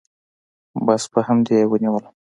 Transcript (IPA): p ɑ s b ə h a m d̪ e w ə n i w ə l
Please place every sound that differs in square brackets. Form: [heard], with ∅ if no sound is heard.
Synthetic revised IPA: [b] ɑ s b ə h a m d̪ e w ə n i w ə l